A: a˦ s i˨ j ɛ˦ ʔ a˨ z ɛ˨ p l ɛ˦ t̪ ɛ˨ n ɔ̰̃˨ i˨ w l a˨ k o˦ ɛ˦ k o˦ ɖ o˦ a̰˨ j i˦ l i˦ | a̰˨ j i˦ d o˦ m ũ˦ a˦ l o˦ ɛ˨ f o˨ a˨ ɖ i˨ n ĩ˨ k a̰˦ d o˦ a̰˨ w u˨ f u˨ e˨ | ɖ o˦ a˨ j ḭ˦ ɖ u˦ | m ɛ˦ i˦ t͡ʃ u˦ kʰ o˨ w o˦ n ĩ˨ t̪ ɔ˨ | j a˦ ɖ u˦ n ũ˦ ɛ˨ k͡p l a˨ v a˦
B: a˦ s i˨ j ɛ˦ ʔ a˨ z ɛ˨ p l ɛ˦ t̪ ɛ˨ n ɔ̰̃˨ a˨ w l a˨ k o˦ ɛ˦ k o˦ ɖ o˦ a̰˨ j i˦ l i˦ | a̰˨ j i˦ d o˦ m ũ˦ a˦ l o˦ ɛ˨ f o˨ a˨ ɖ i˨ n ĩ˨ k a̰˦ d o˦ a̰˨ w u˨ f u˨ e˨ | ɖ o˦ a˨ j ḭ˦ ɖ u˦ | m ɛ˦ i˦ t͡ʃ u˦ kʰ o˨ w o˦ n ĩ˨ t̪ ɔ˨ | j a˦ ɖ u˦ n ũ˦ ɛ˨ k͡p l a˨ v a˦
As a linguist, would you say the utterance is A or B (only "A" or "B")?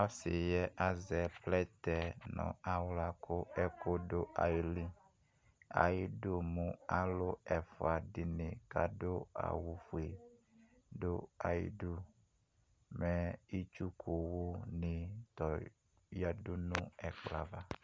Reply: B